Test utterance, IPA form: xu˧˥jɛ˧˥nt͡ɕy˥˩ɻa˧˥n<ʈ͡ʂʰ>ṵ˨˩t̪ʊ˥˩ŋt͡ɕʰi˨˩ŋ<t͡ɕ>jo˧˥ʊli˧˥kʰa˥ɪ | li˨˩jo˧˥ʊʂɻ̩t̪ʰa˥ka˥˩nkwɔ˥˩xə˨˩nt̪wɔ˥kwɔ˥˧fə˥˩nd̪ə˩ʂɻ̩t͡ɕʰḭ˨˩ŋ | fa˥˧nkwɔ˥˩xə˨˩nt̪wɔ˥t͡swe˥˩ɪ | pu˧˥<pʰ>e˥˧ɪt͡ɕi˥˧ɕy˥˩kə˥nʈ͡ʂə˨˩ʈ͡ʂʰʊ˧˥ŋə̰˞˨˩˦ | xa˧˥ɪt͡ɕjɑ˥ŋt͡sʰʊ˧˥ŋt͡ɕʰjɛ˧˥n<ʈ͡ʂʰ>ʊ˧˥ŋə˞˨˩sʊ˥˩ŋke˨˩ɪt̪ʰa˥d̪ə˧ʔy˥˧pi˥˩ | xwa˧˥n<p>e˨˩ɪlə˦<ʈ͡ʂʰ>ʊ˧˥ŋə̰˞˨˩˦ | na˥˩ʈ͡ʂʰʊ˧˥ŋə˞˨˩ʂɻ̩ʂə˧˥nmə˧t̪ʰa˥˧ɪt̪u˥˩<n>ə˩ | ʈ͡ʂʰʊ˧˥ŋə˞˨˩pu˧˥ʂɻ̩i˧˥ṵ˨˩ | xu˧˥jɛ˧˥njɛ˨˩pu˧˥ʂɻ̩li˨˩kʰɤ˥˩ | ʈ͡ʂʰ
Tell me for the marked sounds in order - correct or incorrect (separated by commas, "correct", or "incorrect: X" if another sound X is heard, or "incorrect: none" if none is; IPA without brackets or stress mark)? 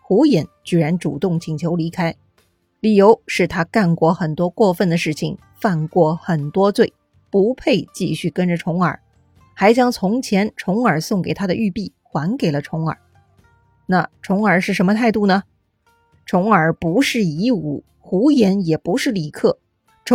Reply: incorrect: ʈ͡ʂ, incorrect: t͡ɕʰ, correct, correct, incorrect: k, correct, correct